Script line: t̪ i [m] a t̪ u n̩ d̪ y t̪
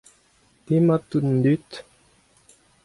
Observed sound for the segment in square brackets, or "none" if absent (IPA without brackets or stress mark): m